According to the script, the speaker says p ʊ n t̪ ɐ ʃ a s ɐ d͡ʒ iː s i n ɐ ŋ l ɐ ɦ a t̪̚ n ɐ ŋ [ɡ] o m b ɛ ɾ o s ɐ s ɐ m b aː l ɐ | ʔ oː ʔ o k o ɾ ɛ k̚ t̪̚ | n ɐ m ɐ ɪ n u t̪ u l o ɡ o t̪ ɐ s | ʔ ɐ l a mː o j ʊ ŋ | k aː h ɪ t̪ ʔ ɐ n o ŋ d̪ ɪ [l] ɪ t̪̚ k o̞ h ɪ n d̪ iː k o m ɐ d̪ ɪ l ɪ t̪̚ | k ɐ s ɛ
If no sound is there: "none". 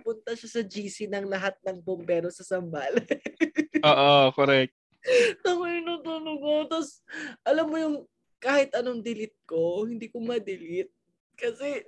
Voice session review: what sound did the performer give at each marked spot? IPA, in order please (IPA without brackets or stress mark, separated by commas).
b, l